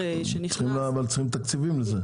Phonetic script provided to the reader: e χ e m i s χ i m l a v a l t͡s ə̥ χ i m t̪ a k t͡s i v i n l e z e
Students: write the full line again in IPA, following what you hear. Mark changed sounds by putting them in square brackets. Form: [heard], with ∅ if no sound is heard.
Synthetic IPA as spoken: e [ʃ] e [n] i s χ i m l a v a l t͡s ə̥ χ i m t̪ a k t͡s i v i [m] l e z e